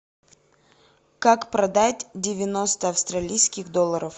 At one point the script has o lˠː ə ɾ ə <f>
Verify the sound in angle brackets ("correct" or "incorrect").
correct